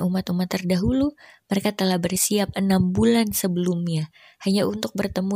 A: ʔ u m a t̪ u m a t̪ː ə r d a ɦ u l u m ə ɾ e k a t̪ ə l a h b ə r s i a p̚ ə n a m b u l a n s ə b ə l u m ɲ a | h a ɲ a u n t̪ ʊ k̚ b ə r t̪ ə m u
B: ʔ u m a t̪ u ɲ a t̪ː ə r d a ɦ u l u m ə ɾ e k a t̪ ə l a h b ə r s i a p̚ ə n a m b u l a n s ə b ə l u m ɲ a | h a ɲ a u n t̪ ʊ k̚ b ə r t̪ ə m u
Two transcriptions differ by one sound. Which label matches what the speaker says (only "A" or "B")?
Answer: A